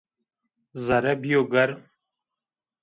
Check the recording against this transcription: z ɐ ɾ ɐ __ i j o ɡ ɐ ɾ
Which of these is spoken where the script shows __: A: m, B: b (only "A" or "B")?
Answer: B